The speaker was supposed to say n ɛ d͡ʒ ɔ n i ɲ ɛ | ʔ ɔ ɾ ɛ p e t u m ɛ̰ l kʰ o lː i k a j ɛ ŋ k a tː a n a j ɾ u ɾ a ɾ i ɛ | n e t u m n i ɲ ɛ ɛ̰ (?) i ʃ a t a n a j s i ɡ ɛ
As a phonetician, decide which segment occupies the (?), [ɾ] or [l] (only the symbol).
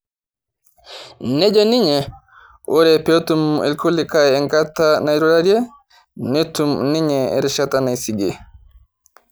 ɾ